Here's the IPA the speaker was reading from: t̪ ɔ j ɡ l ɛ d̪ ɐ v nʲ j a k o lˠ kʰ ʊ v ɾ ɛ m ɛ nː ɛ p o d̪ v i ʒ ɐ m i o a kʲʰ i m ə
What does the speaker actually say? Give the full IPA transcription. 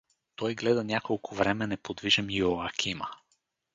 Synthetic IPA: t̪ ɔ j ɡ l ɛ d̪ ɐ nʲ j a k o lˠ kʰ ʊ v ɾ ɛ m ɛ n ɛ p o d̪ v i ʒ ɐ m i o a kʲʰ i m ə